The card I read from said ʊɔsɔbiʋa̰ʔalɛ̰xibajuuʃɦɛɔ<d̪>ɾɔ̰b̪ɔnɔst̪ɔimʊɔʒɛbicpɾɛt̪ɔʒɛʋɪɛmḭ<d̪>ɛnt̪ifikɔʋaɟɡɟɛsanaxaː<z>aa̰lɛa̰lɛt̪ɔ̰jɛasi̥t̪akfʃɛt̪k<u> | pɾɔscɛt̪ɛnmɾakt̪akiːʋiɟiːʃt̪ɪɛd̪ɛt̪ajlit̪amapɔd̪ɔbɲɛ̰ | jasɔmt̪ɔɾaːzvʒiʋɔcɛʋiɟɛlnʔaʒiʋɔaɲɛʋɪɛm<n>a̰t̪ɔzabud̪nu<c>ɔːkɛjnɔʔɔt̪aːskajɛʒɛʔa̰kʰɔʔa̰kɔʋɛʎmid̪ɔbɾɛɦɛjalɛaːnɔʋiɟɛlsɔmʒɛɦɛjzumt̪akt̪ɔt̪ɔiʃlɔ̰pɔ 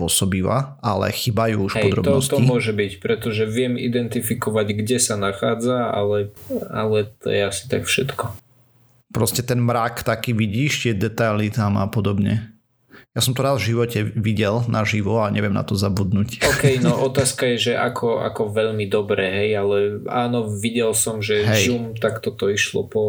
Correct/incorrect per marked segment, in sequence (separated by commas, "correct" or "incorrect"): correct, correct, incorrect, incorrect, correct, correct